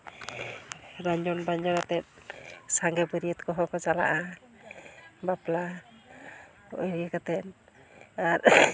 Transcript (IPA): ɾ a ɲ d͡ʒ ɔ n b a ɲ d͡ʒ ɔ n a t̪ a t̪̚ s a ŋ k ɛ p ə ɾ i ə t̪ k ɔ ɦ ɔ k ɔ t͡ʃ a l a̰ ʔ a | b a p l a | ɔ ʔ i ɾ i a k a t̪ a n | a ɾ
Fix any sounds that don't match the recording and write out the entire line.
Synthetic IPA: ɾ a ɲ d͡ʒ ɔ n b a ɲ d͡ʒ ɔ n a t̪ ɛ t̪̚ s a ŋ ɡ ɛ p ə ɾ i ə t̪ k ɔ ɦ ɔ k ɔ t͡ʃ a l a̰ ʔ a | b a p l a | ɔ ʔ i ɾ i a k a t̪ ɛ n | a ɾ